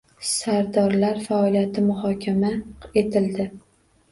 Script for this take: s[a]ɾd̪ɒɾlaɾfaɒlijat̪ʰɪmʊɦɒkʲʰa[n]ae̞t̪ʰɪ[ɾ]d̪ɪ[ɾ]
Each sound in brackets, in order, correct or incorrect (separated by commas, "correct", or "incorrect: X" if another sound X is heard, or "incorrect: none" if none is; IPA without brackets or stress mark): correct, incorrect: m, incorrect: l, incorrect: none